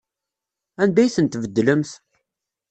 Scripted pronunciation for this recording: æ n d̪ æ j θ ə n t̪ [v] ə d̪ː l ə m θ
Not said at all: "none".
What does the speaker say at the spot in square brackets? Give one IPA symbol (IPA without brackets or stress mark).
v